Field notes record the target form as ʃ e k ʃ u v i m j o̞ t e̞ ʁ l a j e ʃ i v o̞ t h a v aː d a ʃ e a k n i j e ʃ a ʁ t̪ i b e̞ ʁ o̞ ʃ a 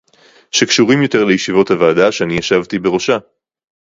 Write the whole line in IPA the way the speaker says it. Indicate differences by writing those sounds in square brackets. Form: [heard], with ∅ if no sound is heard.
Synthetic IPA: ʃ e k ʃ u [ʁ] i m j o̞ t e̞ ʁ l [e] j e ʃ i v o̞ t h a v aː d a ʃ e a [∅] n i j [a] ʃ a [v] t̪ i b e̞ ʁ o̞ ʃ a